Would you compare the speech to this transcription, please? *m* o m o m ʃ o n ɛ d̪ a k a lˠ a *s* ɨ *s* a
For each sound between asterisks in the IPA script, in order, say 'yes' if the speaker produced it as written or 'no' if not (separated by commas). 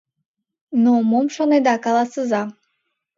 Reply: no, yes, no